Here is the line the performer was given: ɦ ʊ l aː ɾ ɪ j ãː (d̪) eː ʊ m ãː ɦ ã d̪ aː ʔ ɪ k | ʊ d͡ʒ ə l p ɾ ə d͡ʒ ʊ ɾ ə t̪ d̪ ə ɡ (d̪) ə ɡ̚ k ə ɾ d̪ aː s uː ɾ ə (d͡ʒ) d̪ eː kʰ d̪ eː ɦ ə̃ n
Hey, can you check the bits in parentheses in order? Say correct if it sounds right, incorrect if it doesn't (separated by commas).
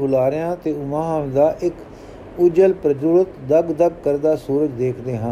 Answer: incorrect, correct, correct